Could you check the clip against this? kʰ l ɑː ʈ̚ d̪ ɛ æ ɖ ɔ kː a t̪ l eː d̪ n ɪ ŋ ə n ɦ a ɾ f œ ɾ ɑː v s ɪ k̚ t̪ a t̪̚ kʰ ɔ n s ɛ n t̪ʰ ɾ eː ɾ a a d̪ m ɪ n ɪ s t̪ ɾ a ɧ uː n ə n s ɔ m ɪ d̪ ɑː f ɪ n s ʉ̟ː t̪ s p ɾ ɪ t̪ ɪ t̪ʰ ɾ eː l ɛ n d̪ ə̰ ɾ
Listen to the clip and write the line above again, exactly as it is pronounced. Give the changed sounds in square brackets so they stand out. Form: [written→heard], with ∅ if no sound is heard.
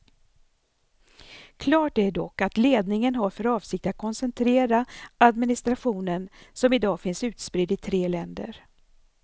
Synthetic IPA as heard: kʰ l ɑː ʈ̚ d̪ ɛ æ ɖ ɔ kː a t̪ l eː d̪ n ɪ ŋ ə n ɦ a ɾ f œ ɾ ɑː v s ɪ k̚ t̪ a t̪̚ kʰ ɔ n s ɛ n t̪ʰ ɾ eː ɾ a a d̪ m ɪ n ɪ s t̪ ɾ a ɧ uː n ə n s ɔ m ɪ d̪ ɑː f ɪ n s ʉ̟ː t̪ s p ɾ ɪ [t̪→d̪] ɪ t̪ʰ ɾ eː l ɛ n d̪ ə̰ ɾ